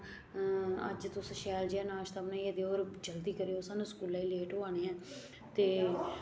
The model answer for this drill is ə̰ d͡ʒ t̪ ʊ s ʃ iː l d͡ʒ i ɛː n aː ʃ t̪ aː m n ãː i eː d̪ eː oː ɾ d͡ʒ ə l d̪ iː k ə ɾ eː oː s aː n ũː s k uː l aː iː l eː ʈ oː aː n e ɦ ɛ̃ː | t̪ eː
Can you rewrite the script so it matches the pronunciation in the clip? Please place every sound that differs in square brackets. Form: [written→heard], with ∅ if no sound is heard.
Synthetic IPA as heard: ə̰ d͡ʒ t̪ ʊ s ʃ [iː→ɛː] l d͡ʒ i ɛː n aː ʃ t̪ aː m n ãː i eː d̪ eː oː ɾ d͡ʒ ə l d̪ iː k ə ɾ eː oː s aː n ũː s k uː l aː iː l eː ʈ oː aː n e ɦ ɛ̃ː | t̪ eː